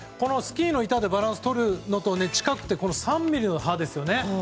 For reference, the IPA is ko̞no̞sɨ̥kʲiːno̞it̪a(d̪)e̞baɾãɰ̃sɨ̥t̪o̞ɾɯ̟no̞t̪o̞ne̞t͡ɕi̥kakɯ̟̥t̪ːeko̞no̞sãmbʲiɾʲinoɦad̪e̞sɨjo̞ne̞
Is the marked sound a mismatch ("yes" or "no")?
no